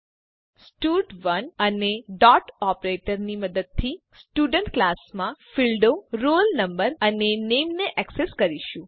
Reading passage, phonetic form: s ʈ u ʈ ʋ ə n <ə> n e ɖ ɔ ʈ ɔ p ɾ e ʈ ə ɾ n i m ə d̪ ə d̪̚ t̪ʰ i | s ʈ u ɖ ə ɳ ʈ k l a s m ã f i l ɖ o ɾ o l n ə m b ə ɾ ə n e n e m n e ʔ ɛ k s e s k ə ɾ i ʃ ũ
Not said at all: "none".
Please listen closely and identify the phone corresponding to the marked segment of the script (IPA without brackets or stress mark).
ə